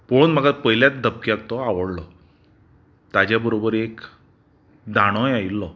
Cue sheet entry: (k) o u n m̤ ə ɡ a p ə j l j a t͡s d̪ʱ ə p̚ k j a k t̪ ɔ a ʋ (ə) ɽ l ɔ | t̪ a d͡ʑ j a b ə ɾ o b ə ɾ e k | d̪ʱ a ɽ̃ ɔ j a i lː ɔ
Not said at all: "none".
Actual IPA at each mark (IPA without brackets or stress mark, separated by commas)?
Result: p, ə